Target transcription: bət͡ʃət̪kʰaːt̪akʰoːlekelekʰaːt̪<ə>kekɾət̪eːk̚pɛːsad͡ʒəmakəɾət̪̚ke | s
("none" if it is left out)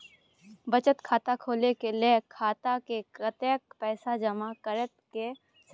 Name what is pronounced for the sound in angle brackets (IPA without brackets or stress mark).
a